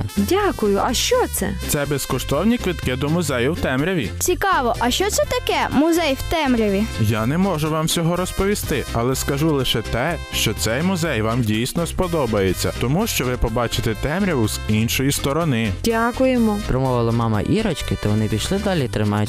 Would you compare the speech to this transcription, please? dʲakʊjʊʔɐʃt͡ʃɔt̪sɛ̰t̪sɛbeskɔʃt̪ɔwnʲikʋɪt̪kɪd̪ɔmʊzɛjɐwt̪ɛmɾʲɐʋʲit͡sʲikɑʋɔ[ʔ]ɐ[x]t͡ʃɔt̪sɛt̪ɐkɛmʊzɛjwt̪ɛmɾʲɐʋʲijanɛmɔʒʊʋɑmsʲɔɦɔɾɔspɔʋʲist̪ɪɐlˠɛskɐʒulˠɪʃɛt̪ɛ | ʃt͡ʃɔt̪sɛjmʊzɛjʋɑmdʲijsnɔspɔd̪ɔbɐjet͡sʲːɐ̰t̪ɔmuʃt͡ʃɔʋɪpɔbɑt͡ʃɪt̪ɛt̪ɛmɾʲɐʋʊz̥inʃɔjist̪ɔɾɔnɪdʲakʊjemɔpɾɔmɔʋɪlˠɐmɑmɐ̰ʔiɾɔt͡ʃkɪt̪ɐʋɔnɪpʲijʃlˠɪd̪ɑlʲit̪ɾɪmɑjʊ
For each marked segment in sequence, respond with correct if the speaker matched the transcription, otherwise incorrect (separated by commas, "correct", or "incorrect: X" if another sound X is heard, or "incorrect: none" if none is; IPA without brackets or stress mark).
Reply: correct, incorrect: ʃ